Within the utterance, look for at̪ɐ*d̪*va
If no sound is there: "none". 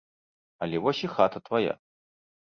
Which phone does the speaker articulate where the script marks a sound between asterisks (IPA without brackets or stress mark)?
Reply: t̪